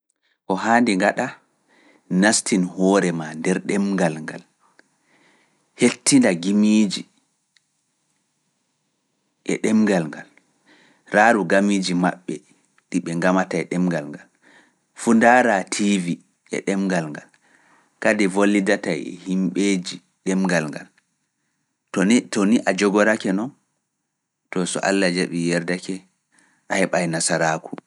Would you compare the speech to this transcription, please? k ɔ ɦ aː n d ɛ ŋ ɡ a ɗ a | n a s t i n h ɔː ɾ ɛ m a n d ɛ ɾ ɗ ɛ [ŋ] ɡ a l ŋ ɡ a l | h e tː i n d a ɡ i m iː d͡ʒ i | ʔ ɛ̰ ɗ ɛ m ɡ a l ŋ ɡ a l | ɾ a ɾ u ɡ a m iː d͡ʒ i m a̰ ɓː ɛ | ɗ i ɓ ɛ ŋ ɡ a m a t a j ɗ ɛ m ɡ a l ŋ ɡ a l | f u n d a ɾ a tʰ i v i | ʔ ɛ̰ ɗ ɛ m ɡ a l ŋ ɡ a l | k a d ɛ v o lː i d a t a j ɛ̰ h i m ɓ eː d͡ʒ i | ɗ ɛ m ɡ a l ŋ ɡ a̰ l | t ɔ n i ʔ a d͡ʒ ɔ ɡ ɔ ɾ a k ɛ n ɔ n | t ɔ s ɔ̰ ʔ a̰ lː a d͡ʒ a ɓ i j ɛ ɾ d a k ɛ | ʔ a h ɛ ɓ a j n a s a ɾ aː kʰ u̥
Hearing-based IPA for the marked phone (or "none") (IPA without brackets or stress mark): m